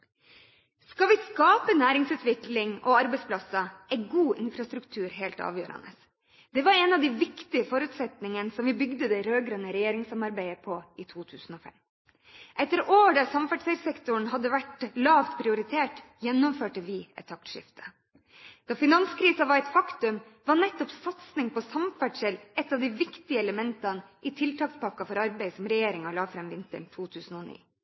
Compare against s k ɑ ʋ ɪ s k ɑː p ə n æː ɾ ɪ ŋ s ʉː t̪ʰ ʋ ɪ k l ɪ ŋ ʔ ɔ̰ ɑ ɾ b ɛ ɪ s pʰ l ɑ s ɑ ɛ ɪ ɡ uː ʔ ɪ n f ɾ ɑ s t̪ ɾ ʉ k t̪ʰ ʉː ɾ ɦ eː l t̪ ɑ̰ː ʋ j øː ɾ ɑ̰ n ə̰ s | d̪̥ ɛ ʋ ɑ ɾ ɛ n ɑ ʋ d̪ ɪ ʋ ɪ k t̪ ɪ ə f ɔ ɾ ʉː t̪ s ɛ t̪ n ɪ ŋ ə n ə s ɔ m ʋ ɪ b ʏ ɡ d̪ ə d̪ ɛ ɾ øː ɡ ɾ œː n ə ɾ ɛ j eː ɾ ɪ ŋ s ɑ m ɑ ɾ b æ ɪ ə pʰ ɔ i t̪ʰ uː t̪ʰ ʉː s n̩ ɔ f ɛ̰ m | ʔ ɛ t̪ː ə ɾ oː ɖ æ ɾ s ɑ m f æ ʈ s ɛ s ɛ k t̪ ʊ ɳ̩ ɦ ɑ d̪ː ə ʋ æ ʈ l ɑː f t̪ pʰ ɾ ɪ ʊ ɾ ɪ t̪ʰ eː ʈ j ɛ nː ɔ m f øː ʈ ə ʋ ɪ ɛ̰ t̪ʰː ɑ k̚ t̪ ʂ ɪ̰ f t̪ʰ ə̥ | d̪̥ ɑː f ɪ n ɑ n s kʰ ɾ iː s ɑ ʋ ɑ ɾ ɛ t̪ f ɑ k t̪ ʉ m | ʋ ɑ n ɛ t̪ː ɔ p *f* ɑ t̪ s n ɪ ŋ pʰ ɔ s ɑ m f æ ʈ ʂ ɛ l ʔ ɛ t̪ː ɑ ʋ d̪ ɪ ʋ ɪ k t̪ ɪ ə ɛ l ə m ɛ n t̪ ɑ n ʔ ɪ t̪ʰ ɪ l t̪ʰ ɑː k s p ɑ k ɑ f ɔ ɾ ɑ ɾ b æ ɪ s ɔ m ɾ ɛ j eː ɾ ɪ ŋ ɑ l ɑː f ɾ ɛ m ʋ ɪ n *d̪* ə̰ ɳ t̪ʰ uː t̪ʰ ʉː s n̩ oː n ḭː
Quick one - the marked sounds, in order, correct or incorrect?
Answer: incorrect, incorrect

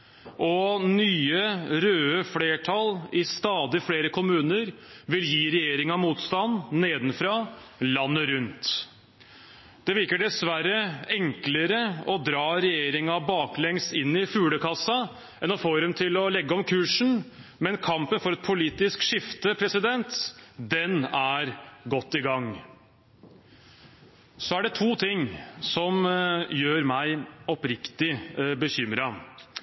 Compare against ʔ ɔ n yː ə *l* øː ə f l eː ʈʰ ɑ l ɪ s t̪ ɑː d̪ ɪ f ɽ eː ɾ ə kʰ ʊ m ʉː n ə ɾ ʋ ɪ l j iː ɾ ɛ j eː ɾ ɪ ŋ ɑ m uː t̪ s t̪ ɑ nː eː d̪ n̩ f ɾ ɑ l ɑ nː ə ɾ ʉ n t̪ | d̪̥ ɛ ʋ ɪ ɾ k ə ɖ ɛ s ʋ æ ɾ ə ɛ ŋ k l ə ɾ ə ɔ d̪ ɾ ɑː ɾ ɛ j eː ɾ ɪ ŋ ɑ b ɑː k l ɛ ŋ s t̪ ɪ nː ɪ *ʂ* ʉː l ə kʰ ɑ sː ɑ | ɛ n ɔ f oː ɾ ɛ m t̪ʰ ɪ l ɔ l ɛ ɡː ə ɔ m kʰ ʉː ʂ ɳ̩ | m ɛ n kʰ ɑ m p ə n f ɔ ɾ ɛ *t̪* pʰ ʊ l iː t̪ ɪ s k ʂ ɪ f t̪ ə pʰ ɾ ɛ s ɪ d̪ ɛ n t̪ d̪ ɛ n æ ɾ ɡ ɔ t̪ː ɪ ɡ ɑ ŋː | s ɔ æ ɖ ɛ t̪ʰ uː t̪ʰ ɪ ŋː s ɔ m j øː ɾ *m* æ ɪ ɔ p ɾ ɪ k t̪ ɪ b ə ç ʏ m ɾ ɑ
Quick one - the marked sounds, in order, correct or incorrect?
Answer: incorrect, incorrect, correct, correct

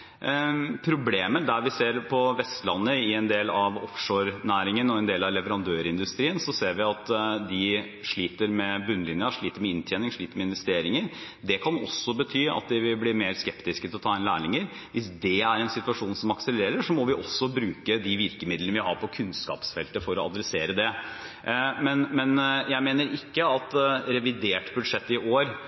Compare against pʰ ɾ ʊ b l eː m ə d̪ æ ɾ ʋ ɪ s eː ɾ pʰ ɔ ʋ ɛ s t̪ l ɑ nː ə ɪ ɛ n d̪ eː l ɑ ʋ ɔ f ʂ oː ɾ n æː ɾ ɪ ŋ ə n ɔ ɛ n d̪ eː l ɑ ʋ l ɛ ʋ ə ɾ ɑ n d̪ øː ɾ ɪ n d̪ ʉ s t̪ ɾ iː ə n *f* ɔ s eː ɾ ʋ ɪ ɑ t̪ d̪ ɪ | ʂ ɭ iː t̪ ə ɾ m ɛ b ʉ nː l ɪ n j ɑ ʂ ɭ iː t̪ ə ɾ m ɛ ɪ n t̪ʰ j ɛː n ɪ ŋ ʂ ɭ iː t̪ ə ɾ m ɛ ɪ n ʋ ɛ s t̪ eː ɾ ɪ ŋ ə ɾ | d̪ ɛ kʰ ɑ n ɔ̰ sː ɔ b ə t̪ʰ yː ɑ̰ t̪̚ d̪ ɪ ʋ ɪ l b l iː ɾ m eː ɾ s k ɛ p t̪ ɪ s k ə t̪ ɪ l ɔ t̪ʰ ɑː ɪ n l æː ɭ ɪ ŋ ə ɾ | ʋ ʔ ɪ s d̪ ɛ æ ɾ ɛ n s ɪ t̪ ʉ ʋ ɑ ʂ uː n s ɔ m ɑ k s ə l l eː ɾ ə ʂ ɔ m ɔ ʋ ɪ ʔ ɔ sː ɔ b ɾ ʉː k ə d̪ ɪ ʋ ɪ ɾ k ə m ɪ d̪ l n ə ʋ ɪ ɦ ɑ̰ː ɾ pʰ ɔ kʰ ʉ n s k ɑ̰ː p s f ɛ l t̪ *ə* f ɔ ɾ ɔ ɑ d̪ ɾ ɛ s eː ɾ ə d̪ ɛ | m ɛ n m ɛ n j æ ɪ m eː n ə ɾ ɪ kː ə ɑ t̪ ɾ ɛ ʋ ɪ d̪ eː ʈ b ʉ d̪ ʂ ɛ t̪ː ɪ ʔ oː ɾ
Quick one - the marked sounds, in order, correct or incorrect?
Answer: incorrect, correct

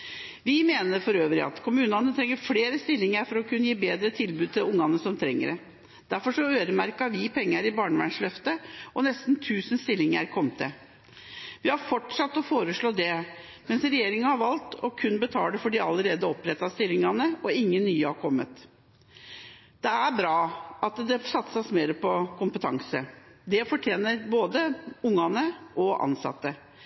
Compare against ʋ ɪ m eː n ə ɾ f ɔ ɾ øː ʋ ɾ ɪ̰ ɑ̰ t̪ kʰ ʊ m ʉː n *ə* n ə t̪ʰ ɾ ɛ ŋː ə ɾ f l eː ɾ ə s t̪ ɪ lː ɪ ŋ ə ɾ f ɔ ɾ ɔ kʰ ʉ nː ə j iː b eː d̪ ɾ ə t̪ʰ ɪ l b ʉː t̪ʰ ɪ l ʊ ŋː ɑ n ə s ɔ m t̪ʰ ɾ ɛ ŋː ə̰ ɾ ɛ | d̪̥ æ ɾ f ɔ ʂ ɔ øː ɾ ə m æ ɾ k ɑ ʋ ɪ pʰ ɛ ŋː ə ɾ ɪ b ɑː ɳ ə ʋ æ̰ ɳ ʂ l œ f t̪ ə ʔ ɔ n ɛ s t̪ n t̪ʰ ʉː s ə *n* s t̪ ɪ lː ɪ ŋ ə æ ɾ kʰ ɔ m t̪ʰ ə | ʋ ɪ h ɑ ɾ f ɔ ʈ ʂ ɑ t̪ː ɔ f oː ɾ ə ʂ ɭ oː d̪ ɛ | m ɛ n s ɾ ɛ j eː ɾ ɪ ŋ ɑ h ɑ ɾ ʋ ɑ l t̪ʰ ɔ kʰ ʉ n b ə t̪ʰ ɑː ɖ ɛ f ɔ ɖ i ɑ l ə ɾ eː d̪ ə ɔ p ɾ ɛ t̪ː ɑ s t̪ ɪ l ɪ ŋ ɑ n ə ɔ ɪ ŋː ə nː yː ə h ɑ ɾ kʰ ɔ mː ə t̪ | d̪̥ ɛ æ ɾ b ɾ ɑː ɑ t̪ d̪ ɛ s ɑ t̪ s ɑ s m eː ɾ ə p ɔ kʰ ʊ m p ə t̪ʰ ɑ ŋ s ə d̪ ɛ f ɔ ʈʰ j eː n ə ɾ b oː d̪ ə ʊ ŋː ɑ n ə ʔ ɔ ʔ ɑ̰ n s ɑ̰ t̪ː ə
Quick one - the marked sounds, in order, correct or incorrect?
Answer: incorrect, correct

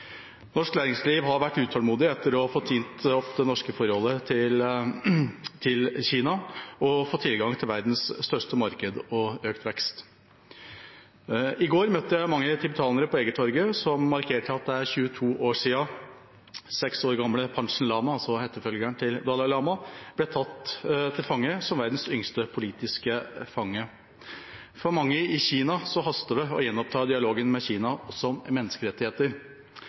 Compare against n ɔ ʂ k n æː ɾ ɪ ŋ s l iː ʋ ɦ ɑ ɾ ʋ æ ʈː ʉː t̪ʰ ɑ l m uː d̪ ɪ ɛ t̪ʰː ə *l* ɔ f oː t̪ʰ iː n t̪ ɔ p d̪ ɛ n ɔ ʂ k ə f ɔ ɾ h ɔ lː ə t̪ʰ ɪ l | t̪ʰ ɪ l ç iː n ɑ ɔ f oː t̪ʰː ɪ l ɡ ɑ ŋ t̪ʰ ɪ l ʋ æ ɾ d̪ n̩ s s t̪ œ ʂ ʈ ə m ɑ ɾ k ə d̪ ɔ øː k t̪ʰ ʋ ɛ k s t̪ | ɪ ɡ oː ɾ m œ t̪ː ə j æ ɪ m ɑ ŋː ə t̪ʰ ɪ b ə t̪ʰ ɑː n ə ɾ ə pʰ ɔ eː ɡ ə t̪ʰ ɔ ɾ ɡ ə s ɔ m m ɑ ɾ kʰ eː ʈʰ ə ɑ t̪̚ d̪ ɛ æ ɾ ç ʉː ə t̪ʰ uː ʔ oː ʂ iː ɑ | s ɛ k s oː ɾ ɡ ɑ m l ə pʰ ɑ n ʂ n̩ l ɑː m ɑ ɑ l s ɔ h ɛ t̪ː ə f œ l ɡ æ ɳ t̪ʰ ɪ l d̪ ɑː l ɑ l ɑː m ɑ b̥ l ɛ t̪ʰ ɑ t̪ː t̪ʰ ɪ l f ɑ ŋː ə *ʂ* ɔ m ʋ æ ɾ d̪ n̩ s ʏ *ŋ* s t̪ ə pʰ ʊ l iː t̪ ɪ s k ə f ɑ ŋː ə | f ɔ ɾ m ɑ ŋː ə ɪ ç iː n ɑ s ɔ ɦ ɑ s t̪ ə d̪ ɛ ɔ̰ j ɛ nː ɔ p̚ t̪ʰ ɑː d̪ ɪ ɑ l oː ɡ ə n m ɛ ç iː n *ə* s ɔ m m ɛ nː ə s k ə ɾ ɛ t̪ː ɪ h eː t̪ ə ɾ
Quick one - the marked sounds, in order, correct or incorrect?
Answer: incorrect, incorrect, correct, incorrect

